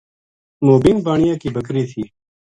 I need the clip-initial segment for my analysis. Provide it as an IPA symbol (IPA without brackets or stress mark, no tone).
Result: m